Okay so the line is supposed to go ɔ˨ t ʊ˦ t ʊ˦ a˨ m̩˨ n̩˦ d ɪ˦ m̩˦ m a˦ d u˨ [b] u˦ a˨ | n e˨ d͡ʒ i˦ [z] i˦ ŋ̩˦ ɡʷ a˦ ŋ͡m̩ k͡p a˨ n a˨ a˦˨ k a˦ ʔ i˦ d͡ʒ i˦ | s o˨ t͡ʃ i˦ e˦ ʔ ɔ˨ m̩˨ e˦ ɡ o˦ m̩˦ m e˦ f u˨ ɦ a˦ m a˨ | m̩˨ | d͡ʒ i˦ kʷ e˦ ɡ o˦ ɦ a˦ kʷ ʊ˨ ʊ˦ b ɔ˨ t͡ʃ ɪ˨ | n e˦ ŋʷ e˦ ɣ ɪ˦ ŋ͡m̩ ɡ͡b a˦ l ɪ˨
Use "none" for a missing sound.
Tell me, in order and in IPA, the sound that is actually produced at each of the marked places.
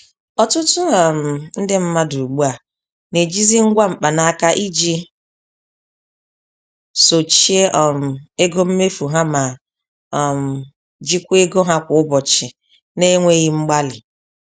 ɡ͡b, z

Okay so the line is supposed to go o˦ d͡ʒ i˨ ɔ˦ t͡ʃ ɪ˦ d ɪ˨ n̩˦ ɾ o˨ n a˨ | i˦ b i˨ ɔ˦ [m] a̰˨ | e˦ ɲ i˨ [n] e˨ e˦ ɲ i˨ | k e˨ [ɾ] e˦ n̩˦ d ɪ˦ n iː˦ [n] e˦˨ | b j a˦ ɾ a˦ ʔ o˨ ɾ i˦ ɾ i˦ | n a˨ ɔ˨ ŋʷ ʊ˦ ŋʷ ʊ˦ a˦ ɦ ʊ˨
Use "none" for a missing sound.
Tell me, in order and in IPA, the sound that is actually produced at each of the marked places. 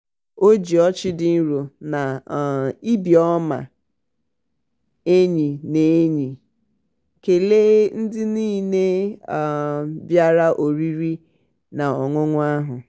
m, n, l, n

